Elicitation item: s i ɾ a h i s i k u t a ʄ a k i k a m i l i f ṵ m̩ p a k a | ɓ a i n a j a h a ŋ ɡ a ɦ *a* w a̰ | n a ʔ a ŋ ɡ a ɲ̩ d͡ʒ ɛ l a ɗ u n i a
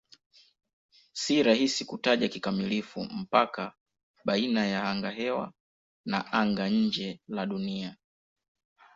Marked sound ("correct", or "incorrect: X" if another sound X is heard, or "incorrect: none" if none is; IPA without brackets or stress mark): incorrect: ɛ